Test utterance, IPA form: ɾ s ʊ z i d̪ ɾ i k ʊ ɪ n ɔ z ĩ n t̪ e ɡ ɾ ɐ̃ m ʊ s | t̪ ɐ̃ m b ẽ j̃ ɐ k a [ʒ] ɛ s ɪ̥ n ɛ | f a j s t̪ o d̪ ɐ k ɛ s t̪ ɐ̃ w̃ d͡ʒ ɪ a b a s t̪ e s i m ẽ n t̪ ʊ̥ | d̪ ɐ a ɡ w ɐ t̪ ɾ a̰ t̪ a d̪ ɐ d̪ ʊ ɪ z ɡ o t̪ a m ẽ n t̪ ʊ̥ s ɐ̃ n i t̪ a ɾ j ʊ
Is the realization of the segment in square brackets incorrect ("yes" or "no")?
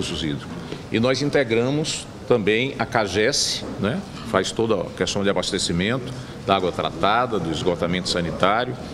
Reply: no